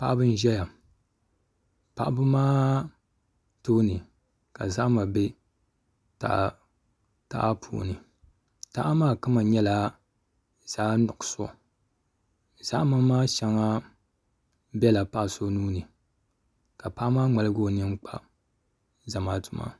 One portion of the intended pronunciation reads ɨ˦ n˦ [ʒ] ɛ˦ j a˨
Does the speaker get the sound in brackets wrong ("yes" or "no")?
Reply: no